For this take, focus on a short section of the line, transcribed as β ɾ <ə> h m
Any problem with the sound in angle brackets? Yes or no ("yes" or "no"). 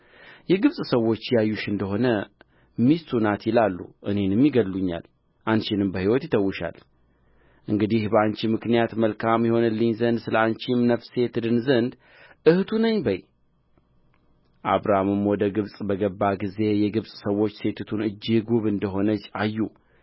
yes